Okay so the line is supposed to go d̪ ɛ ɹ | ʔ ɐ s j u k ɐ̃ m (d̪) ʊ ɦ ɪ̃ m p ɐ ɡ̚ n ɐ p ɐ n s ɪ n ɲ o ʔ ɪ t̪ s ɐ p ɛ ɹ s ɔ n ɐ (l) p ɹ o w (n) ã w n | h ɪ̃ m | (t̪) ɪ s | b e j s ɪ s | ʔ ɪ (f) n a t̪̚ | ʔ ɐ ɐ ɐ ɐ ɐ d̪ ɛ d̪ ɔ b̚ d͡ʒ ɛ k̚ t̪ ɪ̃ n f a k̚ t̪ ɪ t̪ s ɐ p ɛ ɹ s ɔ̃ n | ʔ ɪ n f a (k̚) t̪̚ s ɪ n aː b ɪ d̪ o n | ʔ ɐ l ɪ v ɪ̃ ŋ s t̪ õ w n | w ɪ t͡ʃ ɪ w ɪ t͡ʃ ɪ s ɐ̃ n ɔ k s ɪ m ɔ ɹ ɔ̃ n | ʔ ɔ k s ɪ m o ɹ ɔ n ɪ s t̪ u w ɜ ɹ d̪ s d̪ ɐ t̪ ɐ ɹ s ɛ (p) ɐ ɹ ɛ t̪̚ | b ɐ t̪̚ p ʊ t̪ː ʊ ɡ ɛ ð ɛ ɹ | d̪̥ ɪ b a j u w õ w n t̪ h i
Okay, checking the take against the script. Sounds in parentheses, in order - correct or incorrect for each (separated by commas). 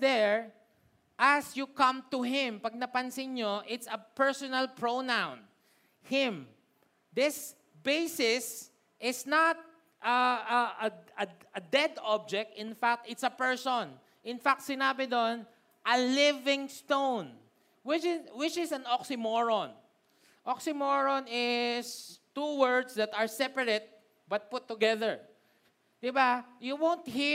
incorrect, correct, correct, incorrect, incorrect, correct, correct